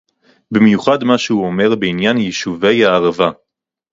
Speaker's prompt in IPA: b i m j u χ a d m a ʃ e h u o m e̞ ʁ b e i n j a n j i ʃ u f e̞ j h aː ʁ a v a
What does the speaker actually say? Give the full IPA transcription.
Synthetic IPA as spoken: b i m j u χ a d m a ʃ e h u o m e̞ ʁ b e i n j a n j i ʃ u v e̞ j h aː ʁ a v a